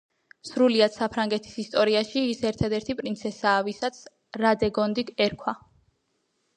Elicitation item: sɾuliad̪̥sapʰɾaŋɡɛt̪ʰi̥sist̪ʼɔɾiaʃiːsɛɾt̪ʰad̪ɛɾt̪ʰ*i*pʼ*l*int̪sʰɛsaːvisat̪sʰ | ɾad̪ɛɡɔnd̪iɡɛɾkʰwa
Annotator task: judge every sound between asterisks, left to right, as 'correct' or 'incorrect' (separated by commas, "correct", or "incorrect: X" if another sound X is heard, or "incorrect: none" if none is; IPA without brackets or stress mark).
correct, incorrect: ɾ